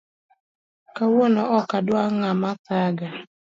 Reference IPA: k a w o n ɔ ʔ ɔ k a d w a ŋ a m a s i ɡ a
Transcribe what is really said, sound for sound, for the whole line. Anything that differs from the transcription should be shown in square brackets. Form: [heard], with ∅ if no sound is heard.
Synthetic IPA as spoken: k a w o n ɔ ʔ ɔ k a d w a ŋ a m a s [a] ɡ a

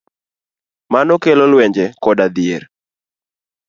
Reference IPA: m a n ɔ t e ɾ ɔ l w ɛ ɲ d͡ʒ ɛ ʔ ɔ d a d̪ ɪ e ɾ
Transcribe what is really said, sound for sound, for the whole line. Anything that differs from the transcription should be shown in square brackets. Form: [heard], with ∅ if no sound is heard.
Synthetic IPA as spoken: m a n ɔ [k] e [l] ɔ l w ɛ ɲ d͡ʒ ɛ [k] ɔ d a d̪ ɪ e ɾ

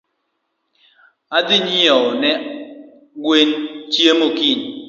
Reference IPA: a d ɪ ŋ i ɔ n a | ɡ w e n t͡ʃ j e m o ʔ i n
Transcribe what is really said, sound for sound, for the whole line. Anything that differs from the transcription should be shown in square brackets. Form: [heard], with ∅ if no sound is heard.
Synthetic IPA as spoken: a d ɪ [ɲ] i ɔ n [ɛ] | ɡ w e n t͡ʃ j e m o [k] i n

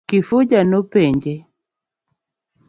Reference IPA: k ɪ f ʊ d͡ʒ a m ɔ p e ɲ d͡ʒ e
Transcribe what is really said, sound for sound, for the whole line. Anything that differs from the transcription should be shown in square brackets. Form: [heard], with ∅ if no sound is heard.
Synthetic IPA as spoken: k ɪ f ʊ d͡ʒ a [n] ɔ p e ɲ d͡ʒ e

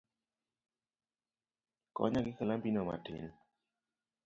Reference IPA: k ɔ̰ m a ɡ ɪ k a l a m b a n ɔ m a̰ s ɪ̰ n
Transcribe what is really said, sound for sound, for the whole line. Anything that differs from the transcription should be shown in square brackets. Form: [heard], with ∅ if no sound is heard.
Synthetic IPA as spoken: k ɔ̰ [ɲ] a ɡ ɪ k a l a m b [i] n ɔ m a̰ [t] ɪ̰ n

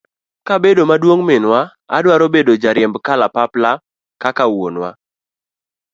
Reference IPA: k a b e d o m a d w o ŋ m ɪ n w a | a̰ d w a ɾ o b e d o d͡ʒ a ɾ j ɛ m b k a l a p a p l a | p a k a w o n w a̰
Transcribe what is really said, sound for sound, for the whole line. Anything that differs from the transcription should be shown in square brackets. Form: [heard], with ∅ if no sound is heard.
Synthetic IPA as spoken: k a b e d o m a d w o ŋ m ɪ n w a | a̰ d w a ɾ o b e d o d͡ʒ a ɾ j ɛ m b k a l a p a p l a | [k] a k a w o n w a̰

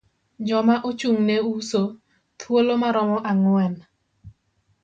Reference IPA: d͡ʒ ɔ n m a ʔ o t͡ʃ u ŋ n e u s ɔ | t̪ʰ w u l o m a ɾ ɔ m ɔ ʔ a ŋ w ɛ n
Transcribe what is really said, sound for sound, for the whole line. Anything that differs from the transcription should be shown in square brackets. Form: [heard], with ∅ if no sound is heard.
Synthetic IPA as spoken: d͡ʒ ɔ [∅] m a ʔ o t͡ʃ u ŋ n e u s [o] | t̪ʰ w [o] l o m a ɾ ɔ m ɔ ʔ a ŋ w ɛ n

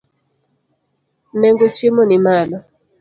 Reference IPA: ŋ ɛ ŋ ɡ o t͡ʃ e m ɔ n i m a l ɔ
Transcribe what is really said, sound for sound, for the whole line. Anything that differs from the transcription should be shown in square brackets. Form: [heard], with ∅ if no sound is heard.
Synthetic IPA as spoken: [n] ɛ ŋ ɡ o t͡ʃ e m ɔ n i m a l ɔ

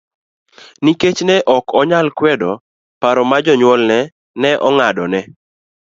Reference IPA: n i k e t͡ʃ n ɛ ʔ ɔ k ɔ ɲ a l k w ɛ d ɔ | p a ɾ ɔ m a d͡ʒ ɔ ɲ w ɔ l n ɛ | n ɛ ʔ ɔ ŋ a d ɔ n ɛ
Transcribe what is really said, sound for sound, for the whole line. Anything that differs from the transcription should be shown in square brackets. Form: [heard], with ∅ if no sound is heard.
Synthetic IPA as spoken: n i k e t͡ʃ n ɛ ʔ ɔ k ɔ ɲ a l k w ɛ d ɔ | p a ɾ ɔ m a d͡ʒ ɔ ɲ w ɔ l n ɛ | n ɛ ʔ ɔ ŋ a d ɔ n ɛ

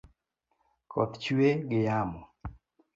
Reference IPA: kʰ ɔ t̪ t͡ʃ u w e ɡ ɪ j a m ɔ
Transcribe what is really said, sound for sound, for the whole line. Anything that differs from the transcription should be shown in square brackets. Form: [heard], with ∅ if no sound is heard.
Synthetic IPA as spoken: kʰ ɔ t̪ t͡ʃ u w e ɡ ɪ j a m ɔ

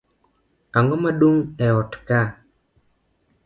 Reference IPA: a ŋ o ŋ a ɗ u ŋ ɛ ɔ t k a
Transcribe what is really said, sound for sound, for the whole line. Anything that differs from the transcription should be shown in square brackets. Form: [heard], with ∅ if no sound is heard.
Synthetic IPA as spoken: a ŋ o [m] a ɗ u ŋ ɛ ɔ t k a

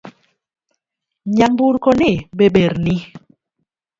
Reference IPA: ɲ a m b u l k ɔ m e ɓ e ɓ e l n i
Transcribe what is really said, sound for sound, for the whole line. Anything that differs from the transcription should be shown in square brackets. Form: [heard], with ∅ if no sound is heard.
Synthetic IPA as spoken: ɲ a m b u [ɾ] k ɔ [n] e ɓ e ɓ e [ɾ] n i

